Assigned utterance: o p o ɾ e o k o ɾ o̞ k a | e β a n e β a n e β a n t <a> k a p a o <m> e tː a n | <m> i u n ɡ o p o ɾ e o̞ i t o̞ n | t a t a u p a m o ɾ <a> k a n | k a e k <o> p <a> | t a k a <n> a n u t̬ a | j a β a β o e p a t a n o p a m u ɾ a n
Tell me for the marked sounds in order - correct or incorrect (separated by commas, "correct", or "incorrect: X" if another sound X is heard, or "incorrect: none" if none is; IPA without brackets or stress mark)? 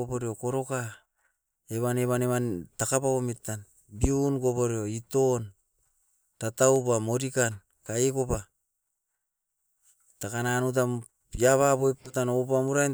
correct, correct, incorrect: b, incorrect: i, correct, correct, correct